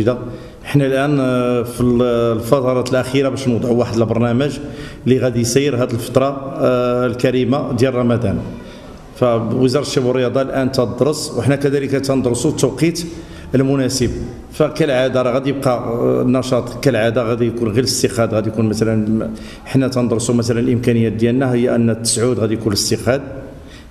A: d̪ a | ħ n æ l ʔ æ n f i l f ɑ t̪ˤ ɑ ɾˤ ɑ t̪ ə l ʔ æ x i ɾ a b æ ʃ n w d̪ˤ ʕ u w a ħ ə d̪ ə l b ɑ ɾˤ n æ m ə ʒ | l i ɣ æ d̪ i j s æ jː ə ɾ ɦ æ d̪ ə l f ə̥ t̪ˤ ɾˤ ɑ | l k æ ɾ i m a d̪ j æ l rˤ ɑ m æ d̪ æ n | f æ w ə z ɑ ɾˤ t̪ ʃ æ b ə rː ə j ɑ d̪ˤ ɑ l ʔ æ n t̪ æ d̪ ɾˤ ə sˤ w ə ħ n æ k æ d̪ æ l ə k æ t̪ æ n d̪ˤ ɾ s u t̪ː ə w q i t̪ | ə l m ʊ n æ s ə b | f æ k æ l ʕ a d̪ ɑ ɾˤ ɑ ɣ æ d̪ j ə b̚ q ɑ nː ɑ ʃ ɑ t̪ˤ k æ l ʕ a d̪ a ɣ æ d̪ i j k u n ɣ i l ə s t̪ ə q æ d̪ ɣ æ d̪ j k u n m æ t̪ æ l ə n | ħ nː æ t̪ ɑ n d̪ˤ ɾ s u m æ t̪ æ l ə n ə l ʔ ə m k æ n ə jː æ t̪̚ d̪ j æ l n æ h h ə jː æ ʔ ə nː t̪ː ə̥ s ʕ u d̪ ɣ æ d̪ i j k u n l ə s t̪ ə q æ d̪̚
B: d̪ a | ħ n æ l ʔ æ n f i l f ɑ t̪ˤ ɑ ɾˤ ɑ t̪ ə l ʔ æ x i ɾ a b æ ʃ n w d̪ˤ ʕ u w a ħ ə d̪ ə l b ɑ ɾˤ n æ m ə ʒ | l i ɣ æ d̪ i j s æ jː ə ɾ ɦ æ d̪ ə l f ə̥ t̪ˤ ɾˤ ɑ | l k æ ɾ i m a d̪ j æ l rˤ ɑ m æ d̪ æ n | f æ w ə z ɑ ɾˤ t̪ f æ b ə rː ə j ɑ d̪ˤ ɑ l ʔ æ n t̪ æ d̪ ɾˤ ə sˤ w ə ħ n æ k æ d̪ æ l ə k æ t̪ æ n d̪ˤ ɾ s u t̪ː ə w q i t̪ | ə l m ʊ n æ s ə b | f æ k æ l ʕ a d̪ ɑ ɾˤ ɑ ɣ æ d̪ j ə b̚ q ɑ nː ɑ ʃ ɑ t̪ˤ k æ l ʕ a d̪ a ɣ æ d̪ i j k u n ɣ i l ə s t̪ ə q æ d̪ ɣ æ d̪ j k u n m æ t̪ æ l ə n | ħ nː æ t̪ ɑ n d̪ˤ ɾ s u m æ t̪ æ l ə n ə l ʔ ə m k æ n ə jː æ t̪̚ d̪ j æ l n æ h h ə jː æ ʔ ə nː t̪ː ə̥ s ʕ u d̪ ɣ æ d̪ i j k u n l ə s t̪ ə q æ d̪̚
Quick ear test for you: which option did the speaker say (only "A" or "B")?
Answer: A